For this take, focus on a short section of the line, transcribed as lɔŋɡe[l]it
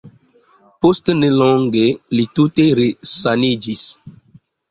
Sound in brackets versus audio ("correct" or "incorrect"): correct